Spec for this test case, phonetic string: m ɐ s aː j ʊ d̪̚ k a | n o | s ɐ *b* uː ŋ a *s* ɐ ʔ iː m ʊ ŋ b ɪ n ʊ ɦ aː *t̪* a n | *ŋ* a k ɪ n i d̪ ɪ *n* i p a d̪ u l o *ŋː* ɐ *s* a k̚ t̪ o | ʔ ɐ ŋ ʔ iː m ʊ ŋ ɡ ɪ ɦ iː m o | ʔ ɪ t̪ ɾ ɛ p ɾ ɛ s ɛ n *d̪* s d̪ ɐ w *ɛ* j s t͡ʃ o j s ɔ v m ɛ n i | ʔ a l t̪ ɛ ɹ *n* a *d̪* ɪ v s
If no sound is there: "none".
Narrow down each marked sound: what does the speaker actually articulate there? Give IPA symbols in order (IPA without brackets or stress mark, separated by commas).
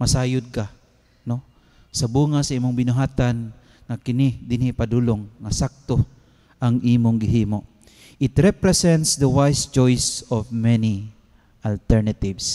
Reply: b, s, t̪, ŋ, n, ŋː, s, t̪, a, n, t̪